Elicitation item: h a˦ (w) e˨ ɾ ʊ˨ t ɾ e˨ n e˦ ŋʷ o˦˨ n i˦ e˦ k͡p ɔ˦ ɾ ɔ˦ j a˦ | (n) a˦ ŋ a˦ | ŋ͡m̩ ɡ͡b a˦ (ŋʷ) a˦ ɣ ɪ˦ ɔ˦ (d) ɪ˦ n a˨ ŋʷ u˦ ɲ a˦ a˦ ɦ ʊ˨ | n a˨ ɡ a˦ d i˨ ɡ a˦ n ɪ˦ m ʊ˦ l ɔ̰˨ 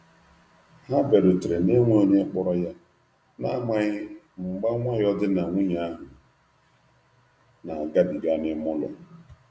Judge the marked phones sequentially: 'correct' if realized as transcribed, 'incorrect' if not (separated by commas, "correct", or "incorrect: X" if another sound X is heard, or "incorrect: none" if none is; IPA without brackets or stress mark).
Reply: incorrect: b, correct, correct, correct